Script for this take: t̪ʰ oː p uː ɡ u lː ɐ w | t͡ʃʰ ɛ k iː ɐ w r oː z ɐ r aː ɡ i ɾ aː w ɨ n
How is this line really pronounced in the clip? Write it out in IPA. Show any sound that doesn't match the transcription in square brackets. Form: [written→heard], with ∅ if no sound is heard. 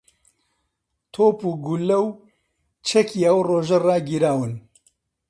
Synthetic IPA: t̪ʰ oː p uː ɡ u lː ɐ w | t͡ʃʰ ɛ k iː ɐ w r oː [z→ʒ] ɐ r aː ɡ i ɾ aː w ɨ n